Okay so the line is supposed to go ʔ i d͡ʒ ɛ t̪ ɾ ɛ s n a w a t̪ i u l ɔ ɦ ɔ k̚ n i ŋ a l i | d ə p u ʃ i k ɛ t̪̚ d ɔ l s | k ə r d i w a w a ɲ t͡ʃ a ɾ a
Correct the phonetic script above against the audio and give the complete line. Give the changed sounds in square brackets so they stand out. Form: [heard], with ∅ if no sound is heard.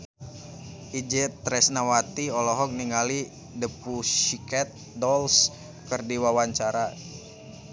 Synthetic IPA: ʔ i d͡ʒ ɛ t̪ ɾ ɛ s n a w a t̪ i [ɔ] l ɔ ɦ ɔ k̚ n i ŋ a l i | d ə p u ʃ i k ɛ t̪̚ d ɔ l s | k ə r d i w a w a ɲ t͡ʃ a ɾ a